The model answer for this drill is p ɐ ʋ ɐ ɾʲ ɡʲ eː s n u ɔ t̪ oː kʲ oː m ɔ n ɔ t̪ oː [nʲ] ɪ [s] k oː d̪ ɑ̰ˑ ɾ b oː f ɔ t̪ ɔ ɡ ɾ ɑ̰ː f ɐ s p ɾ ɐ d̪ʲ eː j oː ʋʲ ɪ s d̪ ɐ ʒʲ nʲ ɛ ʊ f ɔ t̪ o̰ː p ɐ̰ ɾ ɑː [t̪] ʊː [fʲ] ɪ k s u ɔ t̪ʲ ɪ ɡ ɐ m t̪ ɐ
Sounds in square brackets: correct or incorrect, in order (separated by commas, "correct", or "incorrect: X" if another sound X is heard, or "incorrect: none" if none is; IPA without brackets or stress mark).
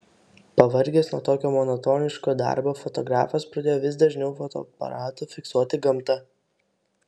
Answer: correct, incorrect: ʃ, correct, correct